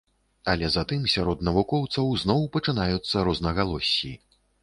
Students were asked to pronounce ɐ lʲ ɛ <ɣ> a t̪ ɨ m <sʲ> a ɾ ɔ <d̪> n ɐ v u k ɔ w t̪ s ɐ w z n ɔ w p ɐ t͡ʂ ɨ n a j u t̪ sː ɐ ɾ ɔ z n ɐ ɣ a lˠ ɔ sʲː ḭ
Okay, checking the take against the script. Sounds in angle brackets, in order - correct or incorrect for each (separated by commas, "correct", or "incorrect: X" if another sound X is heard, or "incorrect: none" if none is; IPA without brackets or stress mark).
incorrect: z, correct, correct